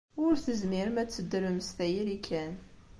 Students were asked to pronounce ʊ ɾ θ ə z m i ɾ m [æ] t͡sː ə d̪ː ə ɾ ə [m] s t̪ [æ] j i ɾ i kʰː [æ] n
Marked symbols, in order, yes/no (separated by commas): yes, yes, yes, yes